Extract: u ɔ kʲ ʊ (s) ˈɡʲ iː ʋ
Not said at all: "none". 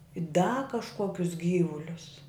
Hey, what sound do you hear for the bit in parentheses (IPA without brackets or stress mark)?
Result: s